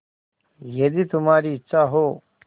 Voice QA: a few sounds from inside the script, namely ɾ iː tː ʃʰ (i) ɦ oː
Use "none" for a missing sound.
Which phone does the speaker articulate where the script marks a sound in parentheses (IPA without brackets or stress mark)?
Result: a